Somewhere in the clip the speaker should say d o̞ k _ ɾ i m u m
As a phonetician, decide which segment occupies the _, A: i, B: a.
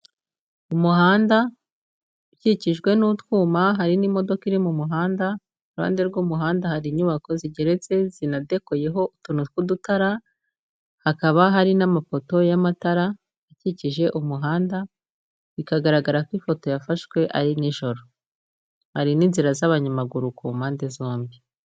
A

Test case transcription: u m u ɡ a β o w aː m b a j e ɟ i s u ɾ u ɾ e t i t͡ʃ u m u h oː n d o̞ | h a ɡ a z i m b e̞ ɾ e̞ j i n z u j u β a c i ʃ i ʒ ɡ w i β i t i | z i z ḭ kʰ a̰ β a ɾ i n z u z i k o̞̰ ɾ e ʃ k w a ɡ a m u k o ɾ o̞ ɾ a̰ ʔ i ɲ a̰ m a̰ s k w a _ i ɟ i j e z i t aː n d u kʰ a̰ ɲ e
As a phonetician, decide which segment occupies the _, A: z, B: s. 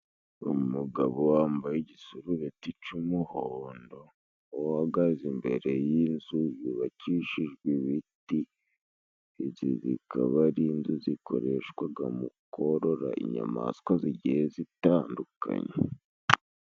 A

